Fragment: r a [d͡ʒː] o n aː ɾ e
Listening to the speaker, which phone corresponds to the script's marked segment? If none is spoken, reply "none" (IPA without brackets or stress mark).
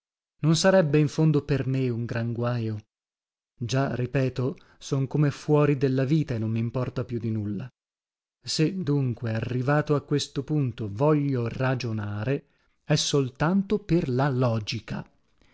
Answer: d͡ʒ